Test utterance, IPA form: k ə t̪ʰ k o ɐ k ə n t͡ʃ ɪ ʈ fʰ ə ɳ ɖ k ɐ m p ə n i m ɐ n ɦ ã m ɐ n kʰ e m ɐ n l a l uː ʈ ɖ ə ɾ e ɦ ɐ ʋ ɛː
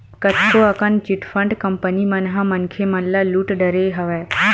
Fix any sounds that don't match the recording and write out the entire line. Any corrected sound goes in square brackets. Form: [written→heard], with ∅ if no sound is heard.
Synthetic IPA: k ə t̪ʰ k o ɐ k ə n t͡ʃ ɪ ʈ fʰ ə ɳ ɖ k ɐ m p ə n i m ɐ n ɦ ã m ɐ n kʰ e m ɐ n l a l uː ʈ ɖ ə ɾ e ɦ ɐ ʋ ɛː